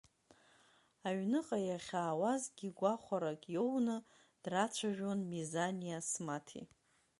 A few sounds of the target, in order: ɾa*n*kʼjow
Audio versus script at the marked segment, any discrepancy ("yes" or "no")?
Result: yes